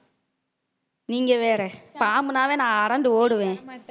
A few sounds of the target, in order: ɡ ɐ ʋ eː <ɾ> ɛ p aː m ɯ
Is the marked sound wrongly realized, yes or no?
no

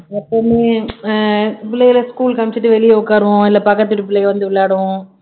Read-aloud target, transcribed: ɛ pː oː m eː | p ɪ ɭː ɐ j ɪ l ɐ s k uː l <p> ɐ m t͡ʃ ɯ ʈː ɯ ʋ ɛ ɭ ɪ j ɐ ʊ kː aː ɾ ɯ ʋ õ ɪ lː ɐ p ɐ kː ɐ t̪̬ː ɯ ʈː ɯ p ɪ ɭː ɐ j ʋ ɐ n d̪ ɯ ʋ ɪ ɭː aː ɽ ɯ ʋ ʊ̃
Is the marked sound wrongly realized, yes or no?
yes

